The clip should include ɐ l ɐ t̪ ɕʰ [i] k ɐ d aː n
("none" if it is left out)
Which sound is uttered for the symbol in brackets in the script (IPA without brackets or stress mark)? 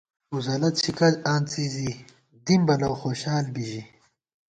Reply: i